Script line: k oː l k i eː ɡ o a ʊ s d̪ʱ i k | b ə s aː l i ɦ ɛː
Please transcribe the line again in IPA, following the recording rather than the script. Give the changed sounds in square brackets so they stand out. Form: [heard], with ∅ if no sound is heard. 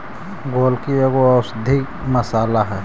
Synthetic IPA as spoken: [ɡ] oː l k i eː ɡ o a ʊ s d̪ʱ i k | [m] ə s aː l [a] ɦ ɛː